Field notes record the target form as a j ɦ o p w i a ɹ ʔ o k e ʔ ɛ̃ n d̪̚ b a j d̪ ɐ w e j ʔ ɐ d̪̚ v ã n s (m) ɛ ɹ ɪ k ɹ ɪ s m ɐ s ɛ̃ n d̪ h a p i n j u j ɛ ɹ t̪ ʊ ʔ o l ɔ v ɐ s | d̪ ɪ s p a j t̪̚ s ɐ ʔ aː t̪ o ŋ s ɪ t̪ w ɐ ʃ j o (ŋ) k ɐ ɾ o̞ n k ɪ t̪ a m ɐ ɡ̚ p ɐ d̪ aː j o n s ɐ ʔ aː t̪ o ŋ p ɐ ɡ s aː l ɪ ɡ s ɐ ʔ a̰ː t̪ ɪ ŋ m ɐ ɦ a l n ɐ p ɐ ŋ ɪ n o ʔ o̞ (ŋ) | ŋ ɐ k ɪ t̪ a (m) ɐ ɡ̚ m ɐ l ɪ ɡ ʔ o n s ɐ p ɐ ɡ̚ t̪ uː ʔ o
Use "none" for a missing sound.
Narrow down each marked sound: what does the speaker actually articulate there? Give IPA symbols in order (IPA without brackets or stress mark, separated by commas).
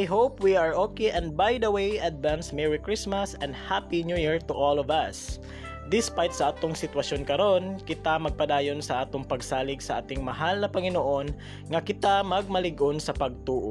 m, n, n, m